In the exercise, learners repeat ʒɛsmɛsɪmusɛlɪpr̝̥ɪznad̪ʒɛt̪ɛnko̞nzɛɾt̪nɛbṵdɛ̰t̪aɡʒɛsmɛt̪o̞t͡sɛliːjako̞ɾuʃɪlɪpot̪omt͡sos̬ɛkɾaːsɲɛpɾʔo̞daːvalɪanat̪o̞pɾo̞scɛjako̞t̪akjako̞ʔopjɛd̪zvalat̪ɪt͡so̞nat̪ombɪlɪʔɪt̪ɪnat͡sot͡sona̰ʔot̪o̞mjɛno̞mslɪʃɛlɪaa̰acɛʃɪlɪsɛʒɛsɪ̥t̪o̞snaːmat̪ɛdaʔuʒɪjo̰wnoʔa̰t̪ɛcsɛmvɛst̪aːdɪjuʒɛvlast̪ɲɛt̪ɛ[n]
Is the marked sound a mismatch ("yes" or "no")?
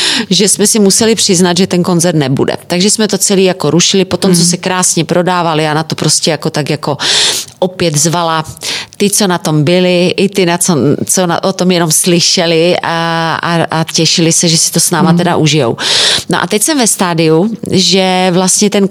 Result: no